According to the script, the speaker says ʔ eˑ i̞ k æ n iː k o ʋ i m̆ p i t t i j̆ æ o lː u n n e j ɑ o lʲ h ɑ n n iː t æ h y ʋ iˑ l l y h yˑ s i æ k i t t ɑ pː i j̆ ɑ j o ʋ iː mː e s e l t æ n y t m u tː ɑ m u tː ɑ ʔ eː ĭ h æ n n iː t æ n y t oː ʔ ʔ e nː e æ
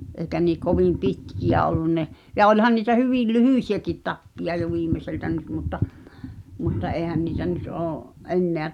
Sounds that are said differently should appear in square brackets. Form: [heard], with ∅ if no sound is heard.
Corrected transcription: ʔ eˑ i̞ k æ n iː k o ʋ i m̆ p i t [k] i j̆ æ o lː u n n e j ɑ o lʲ h ɑ n n iː t æ h y ʋ iˑ l l y h yˑ s i æ k i t t ɑ pː i j̆ ɑ j o ʋ iː mː e s e l t æ n y t m u tː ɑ m u tː ɑ ʔ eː ĭ h æ n n iː t æ n y t oː ʔ ʔ e nː e æ